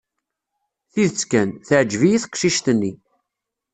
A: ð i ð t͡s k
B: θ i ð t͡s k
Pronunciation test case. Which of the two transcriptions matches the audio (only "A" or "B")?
B